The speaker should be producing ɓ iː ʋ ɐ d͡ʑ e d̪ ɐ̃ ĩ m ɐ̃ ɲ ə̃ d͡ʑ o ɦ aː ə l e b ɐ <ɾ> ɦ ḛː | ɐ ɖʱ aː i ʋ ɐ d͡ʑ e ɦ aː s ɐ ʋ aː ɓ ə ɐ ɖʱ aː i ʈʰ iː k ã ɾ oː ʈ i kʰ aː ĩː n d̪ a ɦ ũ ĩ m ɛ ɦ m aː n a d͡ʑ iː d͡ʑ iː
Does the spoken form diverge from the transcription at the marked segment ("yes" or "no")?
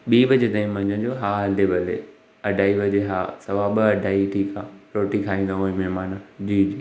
yes